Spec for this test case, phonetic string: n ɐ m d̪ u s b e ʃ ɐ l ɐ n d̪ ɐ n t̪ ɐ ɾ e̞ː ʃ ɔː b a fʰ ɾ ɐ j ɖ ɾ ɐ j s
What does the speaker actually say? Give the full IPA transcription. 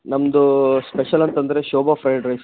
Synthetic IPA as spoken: n ɐ m d̪ u s p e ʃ ɐ l ɐ n t̪ ɐ n d̪ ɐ ɾ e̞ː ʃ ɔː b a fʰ ɾ ɐ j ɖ ɾ ɐ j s